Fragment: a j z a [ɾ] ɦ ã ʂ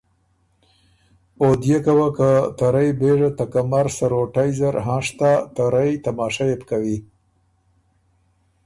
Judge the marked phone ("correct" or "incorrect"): correct